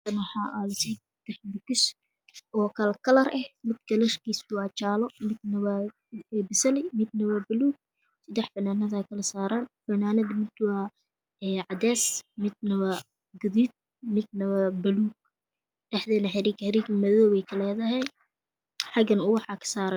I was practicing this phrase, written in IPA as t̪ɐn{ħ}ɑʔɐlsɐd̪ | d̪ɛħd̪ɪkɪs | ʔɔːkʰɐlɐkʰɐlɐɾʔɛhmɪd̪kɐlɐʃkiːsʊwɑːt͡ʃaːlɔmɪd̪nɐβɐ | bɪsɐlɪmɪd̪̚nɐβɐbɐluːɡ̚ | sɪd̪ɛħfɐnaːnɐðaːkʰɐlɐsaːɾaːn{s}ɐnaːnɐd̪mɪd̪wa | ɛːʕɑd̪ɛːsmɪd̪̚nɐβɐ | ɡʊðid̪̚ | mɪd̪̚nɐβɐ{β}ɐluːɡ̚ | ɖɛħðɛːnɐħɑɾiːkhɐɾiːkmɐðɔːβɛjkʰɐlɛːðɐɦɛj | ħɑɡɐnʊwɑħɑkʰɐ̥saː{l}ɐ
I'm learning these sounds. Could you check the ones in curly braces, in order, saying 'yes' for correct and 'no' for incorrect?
yes, no, no, no

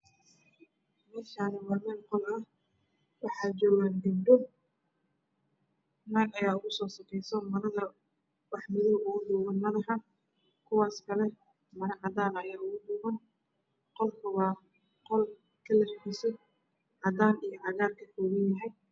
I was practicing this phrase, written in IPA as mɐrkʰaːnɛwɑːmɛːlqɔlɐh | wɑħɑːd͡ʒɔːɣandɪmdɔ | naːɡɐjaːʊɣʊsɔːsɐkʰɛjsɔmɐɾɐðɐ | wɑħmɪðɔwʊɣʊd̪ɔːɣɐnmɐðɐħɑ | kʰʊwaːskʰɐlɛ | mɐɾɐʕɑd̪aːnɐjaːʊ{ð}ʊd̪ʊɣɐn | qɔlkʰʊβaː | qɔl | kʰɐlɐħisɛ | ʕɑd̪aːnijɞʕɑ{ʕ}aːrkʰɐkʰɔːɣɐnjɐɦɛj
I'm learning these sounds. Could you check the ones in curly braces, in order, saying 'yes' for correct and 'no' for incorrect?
no, no

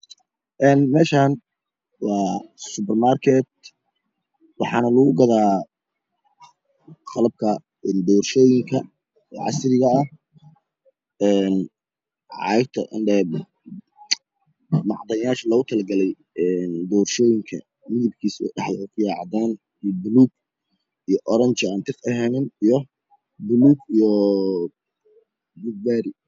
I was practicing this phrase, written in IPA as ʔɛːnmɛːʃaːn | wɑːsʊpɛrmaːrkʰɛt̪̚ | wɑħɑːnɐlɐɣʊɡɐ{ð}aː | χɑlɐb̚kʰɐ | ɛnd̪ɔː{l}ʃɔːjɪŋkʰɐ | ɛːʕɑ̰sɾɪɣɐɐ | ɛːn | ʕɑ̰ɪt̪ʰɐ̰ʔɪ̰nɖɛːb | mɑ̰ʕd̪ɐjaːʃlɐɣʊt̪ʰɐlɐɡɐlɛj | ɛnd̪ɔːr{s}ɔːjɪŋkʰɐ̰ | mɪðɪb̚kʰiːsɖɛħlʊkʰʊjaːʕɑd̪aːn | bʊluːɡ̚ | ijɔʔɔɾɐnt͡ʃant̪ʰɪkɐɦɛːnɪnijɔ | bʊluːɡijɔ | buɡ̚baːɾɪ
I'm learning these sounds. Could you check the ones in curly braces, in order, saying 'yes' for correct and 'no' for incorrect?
yes, no, no

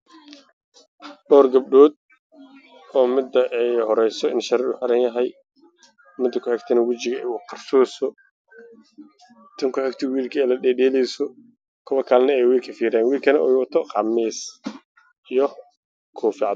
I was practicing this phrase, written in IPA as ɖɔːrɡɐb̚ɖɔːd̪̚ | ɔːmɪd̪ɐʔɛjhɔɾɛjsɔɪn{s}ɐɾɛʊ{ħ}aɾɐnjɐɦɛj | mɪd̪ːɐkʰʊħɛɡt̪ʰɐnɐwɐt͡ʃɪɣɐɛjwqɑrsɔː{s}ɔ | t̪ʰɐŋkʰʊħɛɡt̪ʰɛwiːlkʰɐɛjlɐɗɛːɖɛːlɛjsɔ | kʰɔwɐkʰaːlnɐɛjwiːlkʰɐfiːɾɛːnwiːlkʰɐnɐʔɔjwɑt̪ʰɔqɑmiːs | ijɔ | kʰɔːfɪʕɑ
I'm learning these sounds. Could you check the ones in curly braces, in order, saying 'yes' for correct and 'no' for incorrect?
no, yes, yes

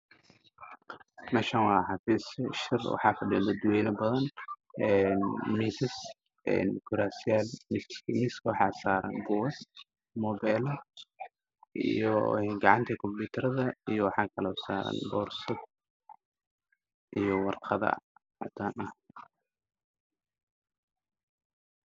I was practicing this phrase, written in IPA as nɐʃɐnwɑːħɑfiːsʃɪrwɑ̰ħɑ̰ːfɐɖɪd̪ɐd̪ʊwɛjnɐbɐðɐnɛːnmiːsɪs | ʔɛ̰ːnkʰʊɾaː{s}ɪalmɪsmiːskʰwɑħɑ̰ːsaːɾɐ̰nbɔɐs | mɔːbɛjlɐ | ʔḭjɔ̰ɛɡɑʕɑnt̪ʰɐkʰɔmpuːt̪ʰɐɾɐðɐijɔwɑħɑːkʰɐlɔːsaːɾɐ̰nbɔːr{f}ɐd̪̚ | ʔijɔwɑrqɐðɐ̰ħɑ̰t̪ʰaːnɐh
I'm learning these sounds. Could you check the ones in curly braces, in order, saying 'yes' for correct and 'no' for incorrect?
yes, no

